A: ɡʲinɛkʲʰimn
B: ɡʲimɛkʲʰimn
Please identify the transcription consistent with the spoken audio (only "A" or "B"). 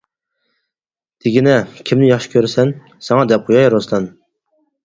A